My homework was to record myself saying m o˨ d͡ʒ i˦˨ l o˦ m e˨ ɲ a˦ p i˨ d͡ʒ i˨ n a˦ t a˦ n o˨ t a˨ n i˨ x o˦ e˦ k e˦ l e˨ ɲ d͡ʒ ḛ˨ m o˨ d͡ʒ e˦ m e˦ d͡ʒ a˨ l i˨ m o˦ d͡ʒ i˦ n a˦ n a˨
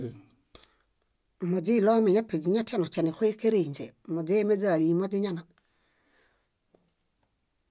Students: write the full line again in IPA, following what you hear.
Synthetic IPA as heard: m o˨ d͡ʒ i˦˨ l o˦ m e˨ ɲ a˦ p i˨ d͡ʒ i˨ ɲ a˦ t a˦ n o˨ t͡ʃ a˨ n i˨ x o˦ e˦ k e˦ ɾ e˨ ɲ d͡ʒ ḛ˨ m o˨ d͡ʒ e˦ m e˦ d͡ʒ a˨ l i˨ m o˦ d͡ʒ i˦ ɲ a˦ n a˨

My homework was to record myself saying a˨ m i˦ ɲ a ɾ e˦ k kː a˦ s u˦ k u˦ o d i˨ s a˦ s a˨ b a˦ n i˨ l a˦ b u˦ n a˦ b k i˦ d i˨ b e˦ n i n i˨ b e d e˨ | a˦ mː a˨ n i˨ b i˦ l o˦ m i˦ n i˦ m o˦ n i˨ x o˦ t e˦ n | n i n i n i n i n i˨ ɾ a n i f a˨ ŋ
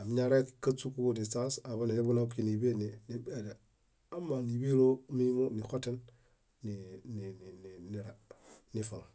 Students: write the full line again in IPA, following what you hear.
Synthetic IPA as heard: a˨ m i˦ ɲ a ɾ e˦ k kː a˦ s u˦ k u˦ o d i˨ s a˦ s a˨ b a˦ n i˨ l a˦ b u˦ n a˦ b k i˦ n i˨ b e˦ n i n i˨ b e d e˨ | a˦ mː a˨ n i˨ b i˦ l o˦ m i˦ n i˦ m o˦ n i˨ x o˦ t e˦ n | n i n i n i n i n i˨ ɾ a n i f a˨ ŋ

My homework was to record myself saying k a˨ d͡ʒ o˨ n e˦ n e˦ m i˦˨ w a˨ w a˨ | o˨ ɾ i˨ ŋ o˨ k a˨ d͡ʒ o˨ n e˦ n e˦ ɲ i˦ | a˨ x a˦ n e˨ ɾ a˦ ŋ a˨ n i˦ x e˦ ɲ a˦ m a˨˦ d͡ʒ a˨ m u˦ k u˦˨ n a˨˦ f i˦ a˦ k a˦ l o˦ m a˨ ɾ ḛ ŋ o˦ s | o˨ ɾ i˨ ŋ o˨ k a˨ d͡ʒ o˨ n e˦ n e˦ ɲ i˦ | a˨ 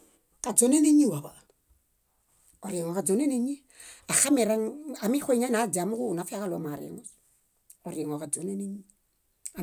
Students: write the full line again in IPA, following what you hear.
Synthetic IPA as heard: k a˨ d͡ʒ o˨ n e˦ n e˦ ɲ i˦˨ w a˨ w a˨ | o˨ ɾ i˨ ŋ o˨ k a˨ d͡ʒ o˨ n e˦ n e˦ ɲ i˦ | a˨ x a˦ m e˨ ɾ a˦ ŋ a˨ m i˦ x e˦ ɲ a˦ n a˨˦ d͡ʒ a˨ m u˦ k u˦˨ n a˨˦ f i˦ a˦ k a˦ l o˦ m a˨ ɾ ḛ ŋ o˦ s | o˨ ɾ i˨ ŋ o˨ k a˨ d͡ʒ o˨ n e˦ n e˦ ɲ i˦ | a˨

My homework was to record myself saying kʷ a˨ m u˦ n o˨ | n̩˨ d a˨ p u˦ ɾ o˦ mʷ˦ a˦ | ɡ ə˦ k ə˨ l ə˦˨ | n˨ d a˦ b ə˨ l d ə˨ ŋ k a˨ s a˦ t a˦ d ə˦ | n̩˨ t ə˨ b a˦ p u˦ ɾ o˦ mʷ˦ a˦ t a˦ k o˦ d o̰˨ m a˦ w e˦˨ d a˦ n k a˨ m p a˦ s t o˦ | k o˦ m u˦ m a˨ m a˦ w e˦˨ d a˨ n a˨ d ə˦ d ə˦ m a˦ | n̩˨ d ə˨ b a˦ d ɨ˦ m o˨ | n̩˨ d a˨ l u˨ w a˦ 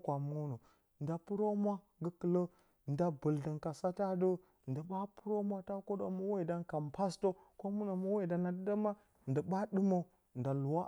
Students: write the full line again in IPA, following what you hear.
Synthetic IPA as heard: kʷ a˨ m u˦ n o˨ | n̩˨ d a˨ p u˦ ɾ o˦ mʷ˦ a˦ | ɡ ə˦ k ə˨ l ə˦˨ | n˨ d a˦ b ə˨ l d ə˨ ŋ k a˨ s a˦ t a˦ d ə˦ | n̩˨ d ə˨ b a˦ p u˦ ɾ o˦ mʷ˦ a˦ t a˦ k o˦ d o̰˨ m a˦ w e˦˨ d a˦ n k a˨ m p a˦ s t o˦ | k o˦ m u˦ n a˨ m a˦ w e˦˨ d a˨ n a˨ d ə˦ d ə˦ m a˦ | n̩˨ d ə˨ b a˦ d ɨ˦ m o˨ | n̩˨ d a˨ l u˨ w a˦

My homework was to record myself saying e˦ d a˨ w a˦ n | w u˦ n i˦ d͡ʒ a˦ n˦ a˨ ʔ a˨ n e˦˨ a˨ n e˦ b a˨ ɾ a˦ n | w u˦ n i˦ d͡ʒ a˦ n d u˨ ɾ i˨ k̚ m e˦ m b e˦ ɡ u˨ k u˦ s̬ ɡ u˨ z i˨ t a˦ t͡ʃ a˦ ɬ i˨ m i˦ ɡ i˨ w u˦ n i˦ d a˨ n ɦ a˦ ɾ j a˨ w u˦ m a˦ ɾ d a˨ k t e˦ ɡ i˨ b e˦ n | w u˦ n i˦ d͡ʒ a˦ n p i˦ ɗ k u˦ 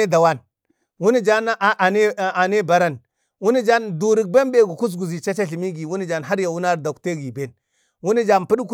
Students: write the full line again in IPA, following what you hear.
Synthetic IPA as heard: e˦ d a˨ w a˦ n | w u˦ n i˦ d͡ʒ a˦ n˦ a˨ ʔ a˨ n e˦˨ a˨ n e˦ b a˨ ɾ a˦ n | w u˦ n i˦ d͡ʒ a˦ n d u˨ ɾ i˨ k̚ b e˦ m b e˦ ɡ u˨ k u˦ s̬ ɡ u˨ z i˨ t͡ʃ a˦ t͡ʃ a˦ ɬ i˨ m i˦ ɡ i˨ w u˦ n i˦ d͡ʒ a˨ n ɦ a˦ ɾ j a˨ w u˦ n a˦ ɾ d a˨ k t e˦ ɡ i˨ b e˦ n | w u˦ n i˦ d͡ʒ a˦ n p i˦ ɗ k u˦

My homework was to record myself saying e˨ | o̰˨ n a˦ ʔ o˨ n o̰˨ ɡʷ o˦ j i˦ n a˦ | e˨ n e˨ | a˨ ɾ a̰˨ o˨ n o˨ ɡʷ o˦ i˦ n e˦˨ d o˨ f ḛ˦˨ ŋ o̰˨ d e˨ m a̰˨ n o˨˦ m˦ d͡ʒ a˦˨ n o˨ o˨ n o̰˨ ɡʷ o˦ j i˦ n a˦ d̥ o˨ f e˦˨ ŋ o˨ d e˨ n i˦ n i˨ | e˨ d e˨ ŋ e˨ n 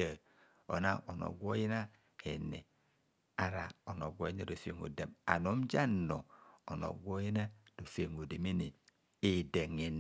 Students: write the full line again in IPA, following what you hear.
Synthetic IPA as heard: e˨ | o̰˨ n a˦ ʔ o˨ n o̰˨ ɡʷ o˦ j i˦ n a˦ | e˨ n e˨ | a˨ ɾ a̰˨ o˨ n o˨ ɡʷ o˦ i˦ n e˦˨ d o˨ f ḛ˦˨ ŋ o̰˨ d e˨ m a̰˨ n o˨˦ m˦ d͡ʒ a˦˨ n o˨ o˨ n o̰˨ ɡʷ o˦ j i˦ n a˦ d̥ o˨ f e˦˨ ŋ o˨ d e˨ m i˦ n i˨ | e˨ d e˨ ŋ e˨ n

